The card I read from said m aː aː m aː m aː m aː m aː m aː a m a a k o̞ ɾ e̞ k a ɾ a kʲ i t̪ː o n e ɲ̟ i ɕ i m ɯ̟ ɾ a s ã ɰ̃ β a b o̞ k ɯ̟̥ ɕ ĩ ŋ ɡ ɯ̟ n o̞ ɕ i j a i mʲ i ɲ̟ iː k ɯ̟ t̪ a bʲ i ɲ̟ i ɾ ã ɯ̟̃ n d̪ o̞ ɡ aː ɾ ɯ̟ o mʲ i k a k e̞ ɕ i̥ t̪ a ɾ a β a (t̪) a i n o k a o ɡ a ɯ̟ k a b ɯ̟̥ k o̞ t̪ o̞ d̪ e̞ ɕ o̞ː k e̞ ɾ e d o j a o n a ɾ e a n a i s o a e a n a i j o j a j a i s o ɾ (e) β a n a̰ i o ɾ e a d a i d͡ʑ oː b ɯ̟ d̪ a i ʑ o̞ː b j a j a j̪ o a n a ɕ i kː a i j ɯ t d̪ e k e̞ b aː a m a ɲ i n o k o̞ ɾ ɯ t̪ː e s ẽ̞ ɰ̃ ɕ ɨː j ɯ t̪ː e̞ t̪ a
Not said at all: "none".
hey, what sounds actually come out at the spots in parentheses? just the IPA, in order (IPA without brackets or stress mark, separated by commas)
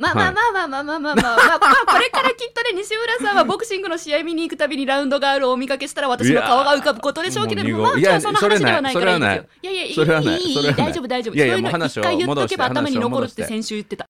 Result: t̪, e